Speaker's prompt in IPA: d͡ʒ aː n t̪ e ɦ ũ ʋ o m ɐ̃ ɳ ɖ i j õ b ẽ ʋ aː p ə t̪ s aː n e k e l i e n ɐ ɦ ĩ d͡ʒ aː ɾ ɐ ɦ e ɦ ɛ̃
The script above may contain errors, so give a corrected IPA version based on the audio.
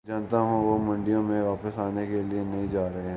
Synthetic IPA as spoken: d͡ʒ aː n t̪ a ɦ ũ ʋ o m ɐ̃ ɳ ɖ i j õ m ẽ ʋ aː p ə s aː n e k e l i e n ɐ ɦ ĩ d͡ʒ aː ɾ ɐ ɦ e ɦ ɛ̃